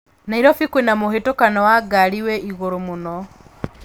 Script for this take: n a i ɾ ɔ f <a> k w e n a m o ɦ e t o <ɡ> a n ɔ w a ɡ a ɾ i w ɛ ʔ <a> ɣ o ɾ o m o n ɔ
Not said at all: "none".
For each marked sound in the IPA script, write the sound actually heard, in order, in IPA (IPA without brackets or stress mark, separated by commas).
i, k, i